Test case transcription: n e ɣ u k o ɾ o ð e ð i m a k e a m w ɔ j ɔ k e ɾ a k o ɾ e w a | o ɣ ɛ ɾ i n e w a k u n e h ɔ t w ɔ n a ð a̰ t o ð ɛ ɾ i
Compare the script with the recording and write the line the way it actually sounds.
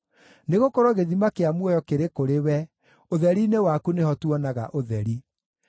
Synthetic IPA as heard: n e ɣ o k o ɾ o ɣ e ð i m a k e a m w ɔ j ɔ k e ɾ e k o ɾ e w ɛ | o ð ɛ ɾ i n e w a k u n e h ɔ t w ɔ n a ɣ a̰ ʔ o ð ɛ ɾ i